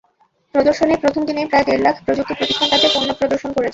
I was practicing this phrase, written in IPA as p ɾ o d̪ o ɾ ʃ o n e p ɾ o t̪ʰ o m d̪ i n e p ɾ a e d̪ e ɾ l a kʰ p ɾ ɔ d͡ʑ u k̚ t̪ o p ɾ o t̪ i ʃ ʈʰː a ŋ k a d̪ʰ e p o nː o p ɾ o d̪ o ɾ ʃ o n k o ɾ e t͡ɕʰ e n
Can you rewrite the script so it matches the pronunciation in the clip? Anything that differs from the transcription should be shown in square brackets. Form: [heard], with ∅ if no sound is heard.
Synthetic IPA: p ɾ o d̪ o ɾ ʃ o n e p ɾ o t̪ʰ o m d̪ i n e p ɾ a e d̪ e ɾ l a kʰ p ɾ [o] d͡ʑ u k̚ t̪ o p ɾ o t̪ i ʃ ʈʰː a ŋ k a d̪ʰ e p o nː o p ɾ o d̪ o ɾ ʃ o n k o ɾ e t͡ɕʰ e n

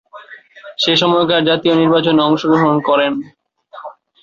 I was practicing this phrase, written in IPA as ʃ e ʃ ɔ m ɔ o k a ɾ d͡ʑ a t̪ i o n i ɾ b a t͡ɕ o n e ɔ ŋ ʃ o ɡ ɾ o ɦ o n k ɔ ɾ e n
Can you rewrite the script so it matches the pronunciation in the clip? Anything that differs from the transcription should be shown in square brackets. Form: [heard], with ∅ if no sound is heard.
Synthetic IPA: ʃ e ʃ ɔ m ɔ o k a ɾ d͡ʑ a t̪ i o n i ɾ b a t͡ɕ o n e ɔ ŋ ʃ o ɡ ɾ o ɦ o n k ɔ ɾ e n

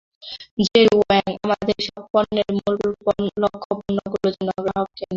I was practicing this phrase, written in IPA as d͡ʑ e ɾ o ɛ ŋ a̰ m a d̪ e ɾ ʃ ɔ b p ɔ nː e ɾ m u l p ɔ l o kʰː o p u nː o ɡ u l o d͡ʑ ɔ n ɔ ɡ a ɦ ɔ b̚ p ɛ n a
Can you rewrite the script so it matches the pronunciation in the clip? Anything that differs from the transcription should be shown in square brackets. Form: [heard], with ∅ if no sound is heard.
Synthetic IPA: d͡ʑ e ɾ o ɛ ŋ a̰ m a d̪ e ɾ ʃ ɔ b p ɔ nː e ɾ m u l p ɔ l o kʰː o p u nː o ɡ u l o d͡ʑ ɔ n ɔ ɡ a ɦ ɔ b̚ [k] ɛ n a

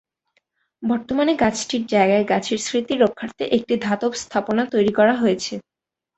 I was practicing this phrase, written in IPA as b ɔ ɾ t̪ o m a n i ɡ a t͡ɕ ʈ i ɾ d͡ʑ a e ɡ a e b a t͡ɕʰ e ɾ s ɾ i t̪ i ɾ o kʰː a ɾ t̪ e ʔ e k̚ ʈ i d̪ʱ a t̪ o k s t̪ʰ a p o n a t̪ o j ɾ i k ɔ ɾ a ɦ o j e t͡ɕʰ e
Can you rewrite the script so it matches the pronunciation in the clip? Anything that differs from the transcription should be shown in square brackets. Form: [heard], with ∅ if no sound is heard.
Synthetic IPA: b ɔ ɾ t̪ o m a n [e] ɡ a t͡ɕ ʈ i ɾ d͡ʑ a e ɡ a e [ɡ] a t͡ɕʰ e ɾ s ɾ i t̪ i ɾ o kʰː a ɾ t̪ e ʔ e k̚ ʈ i d̪ʱ a t̪ o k s t̪ʰ a p o n a t̪ o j ɾ i k ɔ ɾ a ɦ o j e t͡ɕʰ e

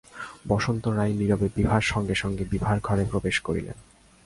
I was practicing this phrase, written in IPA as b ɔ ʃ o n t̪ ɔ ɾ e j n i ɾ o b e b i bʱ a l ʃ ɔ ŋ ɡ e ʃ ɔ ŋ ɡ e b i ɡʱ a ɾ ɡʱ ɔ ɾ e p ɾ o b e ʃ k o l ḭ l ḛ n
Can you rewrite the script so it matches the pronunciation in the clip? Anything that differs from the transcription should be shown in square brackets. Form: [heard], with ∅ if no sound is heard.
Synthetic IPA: b ɔ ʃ o n t̪ [o] ɾ [a] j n i ɾ o b e b i bʱ a [ɾ] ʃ ɔ ŋ ɡ e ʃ ɔ ŋ ɡ e b i [bʱ] a ɾ ɡʱ ɔ ɾ e p ɾ o b e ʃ k o [ɾ] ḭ l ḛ n

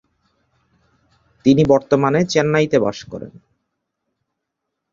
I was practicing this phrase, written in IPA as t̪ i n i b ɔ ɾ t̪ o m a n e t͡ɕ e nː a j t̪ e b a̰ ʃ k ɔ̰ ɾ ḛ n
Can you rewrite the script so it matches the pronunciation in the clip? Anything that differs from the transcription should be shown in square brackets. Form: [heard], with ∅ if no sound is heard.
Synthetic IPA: t̪ i n i b ɔ ɾ t̪ o m a n e t͡ɕ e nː a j t̪ e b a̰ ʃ k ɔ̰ ɾ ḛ n

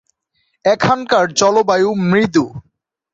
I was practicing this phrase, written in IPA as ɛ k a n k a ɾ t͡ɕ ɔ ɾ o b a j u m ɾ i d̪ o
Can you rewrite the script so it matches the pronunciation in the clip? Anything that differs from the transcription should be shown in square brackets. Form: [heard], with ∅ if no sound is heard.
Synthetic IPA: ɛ [kʰ] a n k a ɾ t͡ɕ ɔ [l] o b a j u m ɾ i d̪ [u]

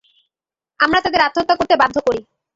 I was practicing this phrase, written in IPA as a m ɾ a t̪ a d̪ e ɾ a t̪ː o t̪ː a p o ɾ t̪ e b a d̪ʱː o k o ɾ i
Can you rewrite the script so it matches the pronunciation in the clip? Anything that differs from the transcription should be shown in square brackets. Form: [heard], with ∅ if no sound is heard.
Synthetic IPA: a m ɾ a t̪ a d̪ e ɾ a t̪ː o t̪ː a [k] o ɾ t̪ e b a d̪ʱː o k o ɾ i

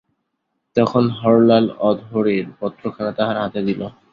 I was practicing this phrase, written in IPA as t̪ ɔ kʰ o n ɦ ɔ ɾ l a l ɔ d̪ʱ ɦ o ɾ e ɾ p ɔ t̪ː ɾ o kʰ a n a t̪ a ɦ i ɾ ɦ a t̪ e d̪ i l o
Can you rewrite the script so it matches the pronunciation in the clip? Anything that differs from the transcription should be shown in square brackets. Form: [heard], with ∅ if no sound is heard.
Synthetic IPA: t̪ ɔ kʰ o n ɦ ɔ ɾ l a l ɔ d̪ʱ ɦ o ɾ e ɾ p ɔ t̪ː ɾ o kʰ a n a t̪ a ɦ [a] ɾ ɦ a t̪ e d̪ i l o

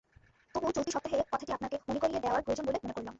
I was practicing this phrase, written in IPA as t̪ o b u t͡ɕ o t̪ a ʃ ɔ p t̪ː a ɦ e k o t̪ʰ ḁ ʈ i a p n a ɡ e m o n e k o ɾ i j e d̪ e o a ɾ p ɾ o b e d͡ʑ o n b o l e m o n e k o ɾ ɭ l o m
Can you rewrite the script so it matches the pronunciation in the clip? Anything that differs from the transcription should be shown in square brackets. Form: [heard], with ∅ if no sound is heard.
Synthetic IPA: t̪ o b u t͡ɕ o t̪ [i] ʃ ɔ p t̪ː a ɦ e k [ɔ] t̪ʰ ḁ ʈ i a p n a [k] e m o n e k o ɾ i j e d̪ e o a ɾ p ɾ o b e d͡ʑ o n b o l e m o n e k o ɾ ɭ l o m

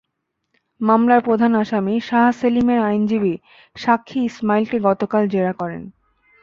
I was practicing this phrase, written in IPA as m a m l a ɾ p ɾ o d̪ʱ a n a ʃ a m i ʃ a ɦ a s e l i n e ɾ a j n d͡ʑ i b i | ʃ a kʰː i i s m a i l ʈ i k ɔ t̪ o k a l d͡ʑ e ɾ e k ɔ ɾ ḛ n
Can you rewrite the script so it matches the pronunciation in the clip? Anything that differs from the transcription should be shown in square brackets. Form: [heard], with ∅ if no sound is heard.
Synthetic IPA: m a m l a ɾ p ɾ o d̪ʱ a n a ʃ a m i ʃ a ɦ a s e l i [m] e ɾ a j n d͡ʑ i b i | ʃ a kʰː i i s m a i l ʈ i [ɡ] ɔ t̪ o k a l d͡ʑ e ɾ [a] k ɔ ɾ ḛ n

